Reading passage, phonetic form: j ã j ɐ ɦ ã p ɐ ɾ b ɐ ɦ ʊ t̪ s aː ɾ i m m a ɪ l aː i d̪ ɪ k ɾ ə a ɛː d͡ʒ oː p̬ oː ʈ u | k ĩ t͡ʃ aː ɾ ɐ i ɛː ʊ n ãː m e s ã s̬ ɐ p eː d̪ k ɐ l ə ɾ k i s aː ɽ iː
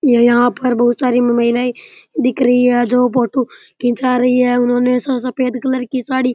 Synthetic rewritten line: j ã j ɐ ɦ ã p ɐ ɾ b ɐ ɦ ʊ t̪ s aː ɾ i m m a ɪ l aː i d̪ ɪ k ɾ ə i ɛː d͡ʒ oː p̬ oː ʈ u | k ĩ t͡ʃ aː ɾ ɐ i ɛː ʊ n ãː n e s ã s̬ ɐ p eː d̪ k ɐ l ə ɾ k i s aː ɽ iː

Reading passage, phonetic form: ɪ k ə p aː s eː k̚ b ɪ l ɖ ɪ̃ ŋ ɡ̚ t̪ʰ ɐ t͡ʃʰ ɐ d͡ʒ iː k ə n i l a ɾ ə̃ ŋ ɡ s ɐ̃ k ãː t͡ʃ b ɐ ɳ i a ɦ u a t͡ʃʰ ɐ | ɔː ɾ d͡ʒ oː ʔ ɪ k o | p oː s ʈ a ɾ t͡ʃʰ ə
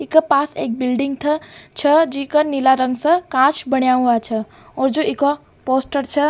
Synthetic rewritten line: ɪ k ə p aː s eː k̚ b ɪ l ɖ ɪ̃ ŋ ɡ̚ t̪ʰ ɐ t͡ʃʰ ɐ d͡ʒ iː k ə n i l a ɾ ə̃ ŋ ɡ s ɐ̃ k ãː t͡ʃ b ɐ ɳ j a ɦ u a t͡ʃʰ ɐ | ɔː ɾ d͡ʒ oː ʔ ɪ k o | p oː s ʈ ə ɾ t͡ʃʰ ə

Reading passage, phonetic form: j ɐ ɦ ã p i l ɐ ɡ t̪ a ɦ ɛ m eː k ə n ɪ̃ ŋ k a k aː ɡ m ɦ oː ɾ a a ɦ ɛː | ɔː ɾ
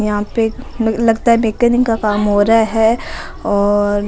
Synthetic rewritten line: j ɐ ɦ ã p e l ɐ ɡ t̪ a ɦ ɛ m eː k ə n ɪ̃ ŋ k a k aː m ɦ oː ɾ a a ɦ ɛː | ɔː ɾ

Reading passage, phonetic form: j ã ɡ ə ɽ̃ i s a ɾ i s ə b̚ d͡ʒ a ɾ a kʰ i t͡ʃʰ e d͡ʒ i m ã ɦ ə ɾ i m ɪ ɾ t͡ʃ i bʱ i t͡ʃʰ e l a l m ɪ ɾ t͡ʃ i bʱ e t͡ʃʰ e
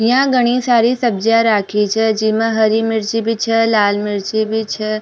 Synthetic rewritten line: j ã ɡ ə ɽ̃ i s a ɾ i s ə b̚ d͡ʒ a ɾ a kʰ i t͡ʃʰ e d͡ʒ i m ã ɦ ə ɾ i m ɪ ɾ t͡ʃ i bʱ i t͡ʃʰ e l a l m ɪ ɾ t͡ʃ i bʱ i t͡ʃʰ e

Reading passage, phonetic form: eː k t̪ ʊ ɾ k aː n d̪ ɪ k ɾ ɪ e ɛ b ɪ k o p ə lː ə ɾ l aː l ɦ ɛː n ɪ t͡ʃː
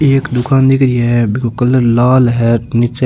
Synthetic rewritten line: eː k d̪ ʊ k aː n d̪ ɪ k ɾ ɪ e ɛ b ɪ k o k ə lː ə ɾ l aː l ɦ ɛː n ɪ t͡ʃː

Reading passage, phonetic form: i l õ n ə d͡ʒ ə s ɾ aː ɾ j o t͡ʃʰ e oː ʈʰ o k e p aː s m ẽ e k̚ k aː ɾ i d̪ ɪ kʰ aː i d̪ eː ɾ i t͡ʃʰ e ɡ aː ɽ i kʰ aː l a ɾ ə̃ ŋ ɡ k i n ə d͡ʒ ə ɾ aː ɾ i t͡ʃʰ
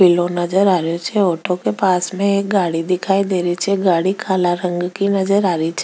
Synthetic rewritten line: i l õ n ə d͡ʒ ə ɾ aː ɾ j o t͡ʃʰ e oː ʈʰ o k e p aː s m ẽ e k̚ ɡ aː ɽ i d̪ ɪ kʰ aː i d̪ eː ɾ i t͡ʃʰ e ɡ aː ɽ i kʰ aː l a ɾ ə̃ ŋ ɡ k i n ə d͡ʒ ə ɾ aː ɾ i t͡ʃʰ

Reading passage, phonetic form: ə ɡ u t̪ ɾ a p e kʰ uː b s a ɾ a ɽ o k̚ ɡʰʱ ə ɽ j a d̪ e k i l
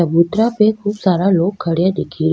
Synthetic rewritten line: ə b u t̪ ɾ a p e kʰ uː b s a ɾ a l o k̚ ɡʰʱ ə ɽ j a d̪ e kʰ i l

